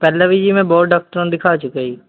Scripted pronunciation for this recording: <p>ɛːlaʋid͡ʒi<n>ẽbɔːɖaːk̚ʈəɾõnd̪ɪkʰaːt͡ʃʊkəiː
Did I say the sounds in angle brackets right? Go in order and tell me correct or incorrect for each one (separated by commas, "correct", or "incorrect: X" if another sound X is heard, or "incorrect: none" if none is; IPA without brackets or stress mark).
correct, incorrect: m